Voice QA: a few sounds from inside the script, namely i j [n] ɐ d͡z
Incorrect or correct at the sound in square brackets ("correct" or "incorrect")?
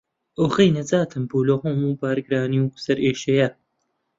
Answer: correct